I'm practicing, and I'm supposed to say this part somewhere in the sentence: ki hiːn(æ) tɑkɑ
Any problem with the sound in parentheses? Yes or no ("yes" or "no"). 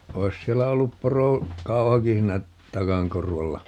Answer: no